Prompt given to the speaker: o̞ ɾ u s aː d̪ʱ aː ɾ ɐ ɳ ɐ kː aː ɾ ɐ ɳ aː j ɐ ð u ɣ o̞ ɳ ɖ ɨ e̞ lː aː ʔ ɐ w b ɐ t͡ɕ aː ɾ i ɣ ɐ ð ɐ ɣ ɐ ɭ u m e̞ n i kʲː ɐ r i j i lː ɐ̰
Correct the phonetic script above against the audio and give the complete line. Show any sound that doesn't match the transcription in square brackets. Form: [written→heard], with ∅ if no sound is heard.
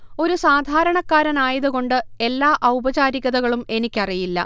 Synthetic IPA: o̞ ɾ u s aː d̪ʱ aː ɾ ɐ ɳ ɐ kː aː ɾ ɐ [ɳ→n] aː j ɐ ð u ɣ o̞ ɳ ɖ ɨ e̞ lː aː ʔ ɐ w b ɐ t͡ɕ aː ɾ i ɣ ɐ ð ɐ ɣ ɐ ɭ u m e̞ n i kʲː ɐ r i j i lː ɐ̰